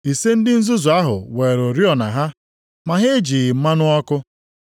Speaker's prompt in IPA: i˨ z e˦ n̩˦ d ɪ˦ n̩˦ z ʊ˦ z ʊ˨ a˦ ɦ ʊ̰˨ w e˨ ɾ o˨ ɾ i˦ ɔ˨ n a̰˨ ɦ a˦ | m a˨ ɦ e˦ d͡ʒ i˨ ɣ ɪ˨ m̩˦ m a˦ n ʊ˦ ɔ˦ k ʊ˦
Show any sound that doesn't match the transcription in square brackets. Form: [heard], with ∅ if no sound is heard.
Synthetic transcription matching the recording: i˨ [s] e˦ n̩˦ d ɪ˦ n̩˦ z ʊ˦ z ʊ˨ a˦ ɦ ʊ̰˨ w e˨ ɾ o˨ ɾ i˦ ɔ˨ n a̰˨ ɦ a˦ | m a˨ ɦ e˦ d͡ʒ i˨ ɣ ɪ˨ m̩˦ m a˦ n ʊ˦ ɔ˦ k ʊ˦